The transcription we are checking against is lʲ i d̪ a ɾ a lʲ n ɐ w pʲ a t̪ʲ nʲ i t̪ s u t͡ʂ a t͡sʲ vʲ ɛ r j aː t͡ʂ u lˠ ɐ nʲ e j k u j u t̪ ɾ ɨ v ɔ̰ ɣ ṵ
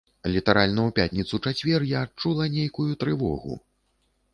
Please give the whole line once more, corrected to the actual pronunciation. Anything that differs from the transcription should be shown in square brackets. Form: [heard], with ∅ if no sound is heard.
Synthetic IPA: lʲ i [t̪] a ɾ a lʲ n ɐ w pʲ a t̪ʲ nʲ i t̪ s u t͡ʂ a t͡sʲ vʲ ɛ r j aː t͡ʂ u lˠ ɐ nʲ e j k u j u t̪ ɾ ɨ v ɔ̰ ɣ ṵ